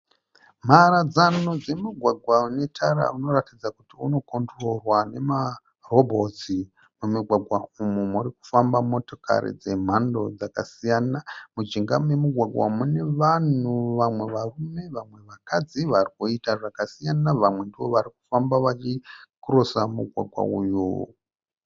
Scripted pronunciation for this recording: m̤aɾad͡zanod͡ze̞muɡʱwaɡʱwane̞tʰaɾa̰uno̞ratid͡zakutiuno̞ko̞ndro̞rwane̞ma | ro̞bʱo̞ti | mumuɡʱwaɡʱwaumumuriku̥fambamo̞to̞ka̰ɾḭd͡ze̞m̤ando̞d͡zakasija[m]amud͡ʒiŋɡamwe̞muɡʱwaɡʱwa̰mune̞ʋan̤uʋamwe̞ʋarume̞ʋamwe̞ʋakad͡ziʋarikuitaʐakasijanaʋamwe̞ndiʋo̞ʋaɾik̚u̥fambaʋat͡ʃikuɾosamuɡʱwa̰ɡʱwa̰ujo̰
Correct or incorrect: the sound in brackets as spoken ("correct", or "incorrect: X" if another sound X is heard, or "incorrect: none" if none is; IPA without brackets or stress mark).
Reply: incorrect: n